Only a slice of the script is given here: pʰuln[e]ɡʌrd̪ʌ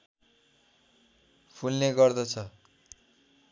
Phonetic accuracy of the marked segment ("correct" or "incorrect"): correct